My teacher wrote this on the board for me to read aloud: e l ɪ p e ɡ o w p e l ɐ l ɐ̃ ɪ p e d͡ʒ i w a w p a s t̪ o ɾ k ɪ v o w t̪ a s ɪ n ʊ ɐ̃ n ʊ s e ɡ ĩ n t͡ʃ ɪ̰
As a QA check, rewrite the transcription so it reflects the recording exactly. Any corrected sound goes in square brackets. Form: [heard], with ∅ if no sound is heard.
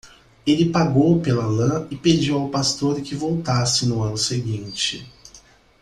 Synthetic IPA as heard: e l ɪ p [a] ɡ o w p e l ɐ l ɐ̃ ɪ p e d͡ʒ i w a w p a s t̪ o ɾ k ɪ v o w t̪ a s ɪ n ʊ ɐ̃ n ʊ s e ɡ ĩ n t͡ʃ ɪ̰